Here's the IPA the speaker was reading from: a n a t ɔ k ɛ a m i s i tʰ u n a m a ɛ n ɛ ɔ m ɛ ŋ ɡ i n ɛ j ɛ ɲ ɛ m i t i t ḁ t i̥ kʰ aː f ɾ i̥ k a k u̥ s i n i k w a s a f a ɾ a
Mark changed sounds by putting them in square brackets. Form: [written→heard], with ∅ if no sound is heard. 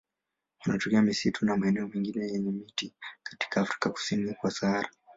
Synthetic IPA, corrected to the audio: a n a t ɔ k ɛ a m i s i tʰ u n a m a ɛ n ɛ ɔ m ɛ ŋ ɡ i n ɛ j ɛ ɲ ɛ m i t i [t→k] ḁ t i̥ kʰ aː f ɾ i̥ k a k u̥ s i n i k w a s a [f→∅] a ɾ a